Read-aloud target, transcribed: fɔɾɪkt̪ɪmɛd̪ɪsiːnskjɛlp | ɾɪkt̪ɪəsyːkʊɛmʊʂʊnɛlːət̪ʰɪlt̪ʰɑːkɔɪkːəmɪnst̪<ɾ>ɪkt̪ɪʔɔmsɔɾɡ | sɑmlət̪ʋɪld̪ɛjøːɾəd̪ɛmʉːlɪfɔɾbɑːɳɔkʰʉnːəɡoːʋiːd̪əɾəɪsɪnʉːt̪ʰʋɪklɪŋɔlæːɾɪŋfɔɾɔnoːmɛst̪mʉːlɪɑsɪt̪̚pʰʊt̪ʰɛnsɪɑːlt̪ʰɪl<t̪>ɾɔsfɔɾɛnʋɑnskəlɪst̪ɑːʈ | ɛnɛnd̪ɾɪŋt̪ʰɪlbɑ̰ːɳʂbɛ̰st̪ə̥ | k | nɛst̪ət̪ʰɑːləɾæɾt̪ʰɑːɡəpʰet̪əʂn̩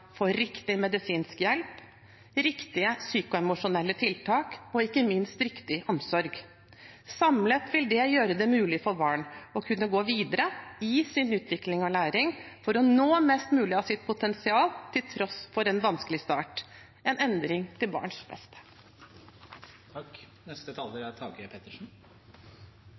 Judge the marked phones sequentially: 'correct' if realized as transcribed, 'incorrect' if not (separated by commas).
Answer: correct, incorrect